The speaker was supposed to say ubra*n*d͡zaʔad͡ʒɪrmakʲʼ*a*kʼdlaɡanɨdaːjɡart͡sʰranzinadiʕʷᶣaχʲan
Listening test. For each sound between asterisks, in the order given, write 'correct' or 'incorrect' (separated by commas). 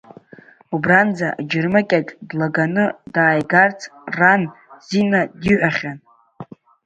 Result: correct, correct